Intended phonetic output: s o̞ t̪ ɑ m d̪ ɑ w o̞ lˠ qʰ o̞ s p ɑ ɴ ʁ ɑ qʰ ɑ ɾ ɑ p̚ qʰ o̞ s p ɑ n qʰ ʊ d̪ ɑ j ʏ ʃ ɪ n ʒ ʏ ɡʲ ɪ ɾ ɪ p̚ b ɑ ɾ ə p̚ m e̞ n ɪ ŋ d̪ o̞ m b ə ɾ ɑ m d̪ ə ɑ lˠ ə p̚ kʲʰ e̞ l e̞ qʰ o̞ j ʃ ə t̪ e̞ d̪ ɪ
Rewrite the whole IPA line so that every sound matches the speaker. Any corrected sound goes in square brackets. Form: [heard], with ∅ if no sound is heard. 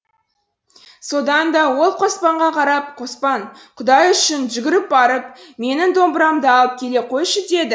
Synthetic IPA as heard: s o̞ [d̪] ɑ [n] d̪ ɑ w o̞ lˠ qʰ o̞ s p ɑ ɴ ʁ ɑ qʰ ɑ ɾ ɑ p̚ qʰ o̞ s p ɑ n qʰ ʊ d̪ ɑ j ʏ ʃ ɪ n ʒ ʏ ɡʲ ɪ ɾ ɪ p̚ b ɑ ɾ ə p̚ m e̞ n ɪ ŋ d̪ o̞ m b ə ɾ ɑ m d̪ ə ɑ lˠ ə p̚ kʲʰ e̞ l e̞ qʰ o̞ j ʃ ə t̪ e̞ d̪ ɪ